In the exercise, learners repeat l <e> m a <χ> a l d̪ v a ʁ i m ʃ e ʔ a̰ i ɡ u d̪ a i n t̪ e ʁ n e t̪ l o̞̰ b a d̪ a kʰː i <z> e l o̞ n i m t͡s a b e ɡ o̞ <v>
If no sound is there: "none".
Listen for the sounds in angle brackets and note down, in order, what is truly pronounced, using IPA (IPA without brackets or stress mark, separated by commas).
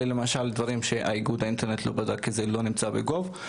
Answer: e, ʃ, z, v